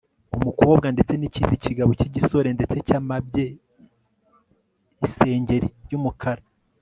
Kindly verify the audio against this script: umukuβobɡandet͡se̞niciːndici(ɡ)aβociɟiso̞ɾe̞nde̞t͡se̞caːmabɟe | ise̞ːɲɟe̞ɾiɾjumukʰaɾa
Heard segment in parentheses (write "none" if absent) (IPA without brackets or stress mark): ɡ